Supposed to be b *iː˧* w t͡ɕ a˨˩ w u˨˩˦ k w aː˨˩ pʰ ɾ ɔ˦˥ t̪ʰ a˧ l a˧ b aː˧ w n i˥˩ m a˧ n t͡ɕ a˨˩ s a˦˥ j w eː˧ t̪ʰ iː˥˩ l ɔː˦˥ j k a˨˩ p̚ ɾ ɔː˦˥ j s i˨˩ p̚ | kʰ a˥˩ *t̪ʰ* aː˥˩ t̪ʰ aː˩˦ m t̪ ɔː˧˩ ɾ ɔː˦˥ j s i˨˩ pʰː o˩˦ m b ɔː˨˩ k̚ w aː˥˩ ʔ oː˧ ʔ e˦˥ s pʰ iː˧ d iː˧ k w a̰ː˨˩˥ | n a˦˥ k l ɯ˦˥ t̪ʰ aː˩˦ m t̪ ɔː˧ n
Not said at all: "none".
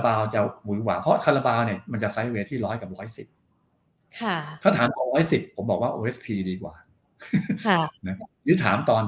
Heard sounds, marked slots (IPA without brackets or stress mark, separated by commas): aː˧, t̪ʰ